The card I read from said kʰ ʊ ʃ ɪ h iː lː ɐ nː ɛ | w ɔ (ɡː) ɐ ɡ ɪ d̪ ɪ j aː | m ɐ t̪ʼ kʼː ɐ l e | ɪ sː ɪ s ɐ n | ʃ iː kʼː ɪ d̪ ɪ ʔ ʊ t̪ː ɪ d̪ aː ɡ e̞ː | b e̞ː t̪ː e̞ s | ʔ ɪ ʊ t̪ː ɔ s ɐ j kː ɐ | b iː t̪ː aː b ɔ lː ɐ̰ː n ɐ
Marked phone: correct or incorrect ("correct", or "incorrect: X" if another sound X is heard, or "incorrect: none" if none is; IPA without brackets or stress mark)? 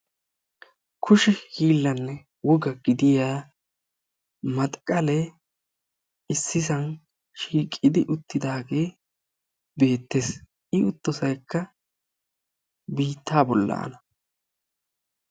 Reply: incorrect: ɡ